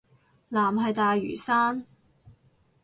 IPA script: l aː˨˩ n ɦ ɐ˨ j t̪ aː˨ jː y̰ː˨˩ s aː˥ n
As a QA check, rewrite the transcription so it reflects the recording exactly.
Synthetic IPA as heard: l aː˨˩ m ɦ ɐ˨ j t̪ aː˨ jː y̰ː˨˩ s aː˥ n